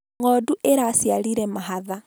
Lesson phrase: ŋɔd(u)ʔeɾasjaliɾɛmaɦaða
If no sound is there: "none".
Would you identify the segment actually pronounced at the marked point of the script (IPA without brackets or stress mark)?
u